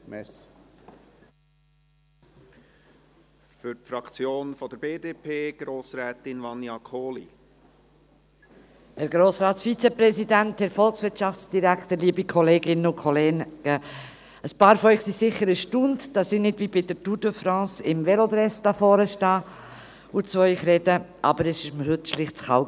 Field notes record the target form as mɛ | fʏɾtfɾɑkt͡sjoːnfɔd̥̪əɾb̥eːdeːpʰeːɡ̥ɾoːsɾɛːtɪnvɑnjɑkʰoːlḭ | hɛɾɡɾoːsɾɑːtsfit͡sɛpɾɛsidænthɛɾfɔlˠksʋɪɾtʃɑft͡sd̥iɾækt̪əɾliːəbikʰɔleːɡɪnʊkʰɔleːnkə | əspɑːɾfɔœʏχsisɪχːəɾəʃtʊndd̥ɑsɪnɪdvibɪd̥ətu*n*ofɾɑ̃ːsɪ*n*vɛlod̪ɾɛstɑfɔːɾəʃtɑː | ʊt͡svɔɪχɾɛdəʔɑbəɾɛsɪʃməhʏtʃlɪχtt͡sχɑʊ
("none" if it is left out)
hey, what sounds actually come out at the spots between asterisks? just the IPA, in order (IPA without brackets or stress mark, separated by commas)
d, m